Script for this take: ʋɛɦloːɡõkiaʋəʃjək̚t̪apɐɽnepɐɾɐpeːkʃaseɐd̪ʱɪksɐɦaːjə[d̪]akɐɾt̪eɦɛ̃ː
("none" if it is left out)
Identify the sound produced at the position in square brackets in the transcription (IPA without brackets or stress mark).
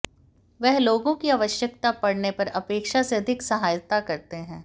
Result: t̪